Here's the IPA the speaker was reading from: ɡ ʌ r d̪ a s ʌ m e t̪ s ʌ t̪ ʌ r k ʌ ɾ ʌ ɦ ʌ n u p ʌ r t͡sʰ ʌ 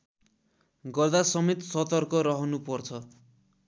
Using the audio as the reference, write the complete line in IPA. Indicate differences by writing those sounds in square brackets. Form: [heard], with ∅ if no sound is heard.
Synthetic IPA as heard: ɡ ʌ r d̪ a s ʌ m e t̪ s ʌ t̪ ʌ r k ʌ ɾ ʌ ɦ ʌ n u p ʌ r t͡sʰ ʌ